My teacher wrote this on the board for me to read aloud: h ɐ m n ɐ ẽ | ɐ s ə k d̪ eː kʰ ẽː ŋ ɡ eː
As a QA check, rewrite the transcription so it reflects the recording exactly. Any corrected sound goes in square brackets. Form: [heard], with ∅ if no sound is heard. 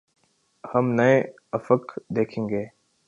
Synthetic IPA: h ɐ m n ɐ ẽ | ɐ [f] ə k d̪ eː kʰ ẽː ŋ ɡ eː